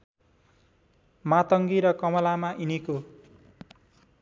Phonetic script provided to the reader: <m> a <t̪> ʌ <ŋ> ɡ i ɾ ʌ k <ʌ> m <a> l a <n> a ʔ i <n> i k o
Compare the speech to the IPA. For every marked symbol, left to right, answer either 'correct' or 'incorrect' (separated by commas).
correct, correct, correct, correct, incorrect, incorrect, correct